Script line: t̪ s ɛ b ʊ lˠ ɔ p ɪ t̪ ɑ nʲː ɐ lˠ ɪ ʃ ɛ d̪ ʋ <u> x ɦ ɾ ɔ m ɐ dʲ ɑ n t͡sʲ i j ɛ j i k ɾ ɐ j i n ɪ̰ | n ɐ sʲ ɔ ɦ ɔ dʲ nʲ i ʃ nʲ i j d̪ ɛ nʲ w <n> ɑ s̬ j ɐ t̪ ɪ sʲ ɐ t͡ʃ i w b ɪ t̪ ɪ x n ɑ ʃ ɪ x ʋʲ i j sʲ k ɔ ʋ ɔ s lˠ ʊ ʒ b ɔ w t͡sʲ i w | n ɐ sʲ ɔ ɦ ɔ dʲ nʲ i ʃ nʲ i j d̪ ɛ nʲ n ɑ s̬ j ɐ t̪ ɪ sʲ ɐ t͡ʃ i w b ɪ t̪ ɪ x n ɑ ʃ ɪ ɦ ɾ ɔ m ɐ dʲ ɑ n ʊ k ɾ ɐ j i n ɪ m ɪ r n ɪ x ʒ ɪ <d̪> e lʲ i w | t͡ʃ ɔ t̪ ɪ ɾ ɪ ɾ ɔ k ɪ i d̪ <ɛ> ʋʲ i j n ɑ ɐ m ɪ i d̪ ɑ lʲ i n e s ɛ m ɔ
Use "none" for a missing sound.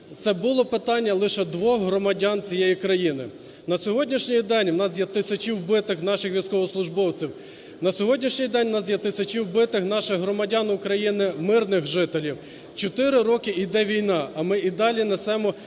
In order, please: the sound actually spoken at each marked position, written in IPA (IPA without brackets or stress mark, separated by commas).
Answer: ɔ, n, t̪, ɛ